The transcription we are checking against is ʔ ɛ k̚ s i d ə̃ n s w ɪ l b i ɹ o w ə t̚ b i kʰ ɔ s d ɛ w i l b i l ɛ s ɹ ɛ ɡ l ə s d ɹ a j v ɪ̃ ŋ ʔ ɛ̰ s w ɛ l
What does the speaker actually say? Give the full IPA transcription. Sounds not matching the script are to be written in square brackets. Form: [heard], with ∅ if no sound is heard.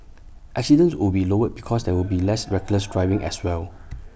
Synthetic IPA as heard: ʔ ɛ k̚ s i d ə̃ n s w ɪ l b i [l] o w ə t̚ b i kʰ ɔ s d ɛ w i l b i l ɛ s ɹ ɛ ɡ l ə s d ɹ a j v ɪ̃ ŋ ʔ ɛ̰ s w ɛ l

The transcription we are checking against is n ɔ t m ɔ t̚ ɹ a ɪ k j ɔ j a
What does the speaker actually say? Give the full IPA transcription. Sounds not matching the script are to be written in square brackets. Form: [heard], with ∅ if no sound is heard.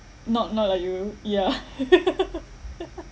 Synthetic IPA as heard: n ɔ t [n] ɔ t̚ [l] a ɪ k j [u] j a

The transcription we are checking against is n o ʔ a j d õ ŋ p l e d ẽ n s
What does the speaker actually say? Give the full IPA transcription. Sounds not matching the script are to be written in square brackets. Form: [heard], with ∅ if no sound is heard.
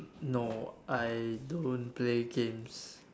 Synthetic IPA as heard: n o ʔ a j d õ [n] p l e [ɡ] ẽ [m] s

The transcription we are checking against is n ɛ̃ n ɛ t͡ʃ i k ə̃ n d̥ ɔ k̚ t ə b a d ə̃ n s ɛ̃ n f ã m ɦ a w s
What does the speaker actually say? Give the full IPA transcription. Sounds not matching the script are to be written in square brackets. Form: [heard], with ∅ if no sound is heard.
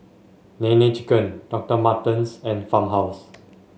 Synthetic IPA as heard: n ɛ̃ n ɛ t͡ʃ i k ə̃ n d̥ ɔ k̚ t ə [m] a [t] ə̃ n s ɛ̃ n f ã m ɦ a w s

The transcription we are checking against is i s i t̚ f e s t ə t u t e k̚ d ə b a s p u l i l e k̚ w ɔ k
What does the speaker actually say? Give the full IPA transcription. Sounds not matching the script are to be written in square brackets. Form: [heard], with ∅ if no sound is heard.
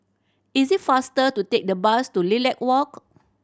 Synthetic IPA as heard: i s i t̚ f [a] s t ə t u t e k̚ d ə b a s [t] u l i l [ɛ] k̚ w ɔ k

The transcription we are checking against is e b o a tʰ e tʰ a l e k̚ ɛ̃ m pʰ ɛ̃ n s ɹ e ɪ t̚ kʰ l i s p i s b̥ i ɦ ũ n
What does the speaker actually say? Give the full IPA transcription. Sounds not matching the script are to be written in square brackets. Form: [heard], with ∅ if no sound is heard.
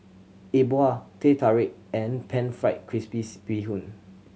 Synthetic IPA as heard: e b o a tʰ e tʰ a [ɹ] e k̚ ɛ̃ [n] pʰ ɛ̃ n [f] ɹ [a] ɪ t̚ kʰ [ɹ] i s p i s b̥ i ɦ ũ n

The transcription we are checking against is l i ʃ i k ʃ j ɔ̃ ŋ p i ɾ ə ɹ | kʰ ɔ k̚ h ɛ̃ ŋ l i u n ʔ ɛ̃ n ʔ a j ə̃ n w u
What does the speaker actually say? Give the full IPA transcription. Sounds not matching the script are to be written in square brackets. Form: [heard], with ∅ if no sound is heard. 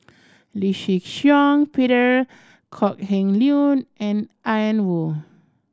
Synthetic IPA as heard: l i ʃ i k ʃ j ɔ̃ ŋ p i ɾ ə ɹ | kʰ ɔ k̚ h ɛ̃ ŋ l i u n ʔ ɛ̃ n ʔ a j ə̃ n w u

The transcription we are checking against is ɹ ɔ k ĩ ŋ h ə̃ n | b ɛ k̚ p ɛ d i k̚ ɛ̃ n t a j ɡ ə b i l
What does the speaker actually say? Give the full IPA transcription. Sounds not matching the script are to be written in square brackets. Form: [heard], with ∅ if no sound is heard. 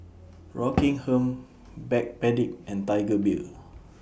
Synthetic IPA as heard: ɹ ɔ k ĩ ŋ h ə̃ [m] | b ɛ k̚ p ɛ d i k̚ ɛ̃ n t a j ɡ ə b i l

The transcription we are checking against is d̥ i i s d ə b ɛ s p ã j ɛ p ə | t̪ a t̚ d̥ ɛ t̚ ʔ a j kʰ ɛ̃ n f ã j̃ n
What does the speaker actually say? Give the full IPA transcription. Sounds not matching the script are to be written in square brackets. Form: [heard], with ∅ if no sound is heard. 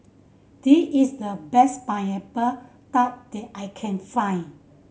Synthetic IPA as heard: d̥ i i s d ə b ɛ s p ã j ɛ p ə | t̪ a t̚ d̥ ɛ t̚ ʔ a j kʰ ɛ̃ n f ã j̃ n

